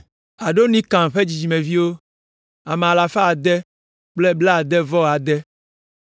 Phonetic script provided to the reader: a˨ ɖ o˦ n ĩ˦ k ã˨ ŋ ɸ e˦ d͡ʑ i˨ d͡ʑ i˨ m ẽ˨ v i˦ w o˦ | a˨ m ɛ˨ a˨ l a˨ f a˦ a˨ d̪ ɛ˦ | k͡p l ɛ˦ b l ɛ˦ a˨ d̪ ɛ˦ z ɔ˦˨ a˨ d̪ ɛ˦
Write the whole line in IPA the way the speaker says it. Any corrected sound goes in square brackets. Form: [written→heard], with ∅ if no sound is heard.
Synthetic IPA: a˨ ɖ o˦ n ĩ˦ k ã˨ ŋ ɸ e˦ d͡ʑ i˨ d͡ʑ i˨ m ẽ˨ v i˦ w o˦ | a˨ m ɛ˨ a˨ l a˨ f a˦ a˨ d̪ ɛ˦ | k͡p l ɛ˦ b l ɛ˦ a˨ d̪ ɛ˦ [z→v] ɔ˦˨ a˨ d̪ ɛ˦

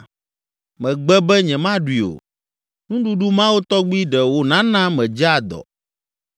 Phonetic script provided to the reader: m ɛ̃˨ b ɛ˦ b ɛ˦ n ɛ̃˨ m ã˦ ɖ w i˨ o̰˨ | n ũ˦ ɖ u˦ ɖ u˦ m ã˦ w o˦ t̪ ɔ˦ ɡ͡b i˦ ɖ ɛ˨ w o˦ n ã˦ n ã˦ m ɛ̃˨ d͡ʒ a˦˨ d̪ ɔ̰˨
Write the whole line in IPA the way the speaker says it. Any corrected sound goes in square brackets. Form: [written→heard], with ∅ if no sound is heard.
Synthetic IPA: m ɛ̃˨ [b→ɡ͡b] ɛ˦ b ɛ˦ [n→ɲ] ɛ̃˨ m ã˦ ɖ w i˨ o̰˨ | n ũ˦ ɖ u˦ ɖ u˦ m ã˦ w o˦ t̪ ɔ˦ ɡ͡b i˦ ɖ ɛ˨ w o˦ n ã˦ n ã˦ m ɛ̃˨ d͡ʒ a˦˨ d̪ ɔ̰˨

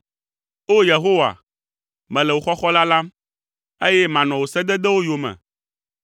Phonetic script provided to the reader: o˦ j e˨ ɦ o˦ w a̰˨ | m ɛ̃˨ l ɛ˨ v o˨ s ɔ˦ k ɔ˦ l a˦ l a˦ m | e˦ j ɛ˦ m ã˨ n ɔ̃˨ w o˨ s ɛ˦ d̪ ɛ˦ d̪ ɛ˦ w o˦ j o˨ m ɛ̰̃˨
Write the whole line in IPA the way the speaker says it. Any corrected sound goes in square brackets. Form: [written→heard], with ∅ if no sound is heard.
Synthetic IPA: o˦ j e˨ ɦ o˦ w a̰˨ | m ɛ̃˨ l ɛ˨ [v→w] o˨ [s→x] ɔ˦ [k→x] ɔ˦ l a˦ l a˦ m | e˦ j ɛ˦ m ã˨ n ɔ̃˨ w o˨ s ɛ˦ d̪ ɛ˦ d̪ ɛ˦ w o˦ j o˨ m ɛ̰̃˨

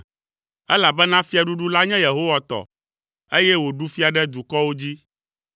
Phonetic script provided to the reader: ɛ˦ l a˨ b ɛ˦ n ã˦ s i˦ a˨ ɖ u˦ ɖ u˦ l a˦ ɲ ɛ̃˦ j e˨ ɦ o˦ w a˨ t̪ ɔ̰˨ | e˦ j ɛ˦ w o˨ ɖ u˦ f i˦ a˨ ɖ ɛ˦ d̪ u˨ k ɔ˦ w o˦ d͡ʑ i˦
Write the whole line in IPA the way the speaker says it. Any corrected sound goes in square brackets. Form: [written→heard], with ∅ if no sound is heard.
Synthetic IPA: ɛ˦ l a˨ b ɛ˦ n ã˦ [s→f] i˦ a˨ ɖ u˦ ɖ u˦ l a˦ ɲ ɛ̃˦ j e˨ ɦ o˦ w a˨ t̪ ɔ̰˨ | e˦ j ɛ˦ w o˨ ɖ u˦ f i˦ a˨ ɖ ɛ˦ d̪ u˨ k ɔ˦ w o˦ d͡ʑ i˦

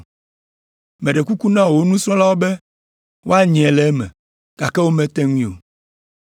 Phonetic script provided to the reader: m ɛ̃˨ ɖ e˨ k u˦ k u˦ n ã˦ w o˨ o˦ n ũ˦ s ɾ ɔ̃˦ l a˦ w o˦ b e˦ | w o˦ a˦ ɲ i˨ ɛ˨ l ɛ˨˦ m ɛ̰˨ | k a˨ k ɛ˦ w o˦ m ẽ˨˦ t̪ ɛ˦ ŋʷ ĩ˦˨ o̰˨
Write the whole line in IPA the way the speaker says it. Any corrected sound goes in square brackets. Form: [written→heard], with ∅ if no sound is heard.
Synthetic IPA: m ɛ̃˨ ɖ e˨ k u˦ k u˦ n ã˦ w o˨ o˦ n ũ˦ s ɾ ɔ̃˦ l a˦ w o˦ b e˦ | w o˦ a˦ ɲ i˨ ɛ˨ l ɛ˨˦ m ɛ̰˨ | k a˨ k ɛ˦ w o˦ m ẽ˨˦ t̪ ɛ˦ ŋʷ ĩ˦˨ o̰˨

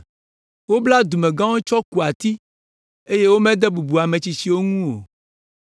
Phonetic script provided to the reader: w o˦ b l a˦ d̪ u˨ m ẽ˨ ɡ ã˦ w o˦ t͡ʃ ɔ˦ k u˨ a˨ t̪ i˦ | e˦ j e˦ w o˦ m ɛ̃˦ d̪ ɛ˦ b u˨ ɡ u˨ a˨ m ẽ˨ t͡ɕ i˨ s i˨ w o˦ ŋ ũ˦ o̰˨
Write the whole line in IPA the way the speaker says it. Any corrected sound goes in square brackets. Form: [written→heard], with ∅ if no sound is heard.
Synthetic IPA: w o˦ b l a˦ d̪ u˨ m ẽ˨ ɡ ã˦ w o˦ t͡ʃ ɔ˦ k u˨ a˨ t̪ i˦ | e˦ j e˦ w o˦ m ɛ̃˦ d̪ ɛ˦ b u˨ [ɡ→b] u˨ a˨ m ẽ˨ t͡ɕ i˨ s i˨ w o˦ ŋ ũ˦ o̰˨

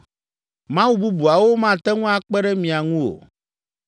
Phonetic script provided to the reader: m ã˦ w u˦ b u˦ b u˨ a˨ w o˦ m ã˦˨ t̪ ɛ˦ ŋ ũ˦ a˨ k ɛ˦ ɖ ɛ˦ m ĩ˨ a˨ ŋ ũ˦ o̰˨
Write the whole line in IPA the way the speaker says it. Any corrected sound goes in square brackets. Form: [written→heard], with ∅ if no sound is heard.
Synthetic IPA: m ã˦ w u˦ b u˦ b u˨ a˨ w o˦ m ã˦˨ t̪ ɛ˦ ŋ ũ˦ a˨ [k→k͡p] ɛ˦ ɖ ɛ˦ m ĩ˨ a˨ ŋ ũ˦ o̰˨

